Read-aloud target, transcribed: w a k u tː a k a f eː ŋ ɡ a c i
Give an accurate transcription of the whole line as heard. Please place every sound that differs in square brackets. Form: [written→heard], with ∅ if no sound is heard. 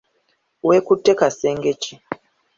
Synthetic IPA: w [a→e] k u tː [a→e] k a [f→s] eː ŋ ɡ [a→e] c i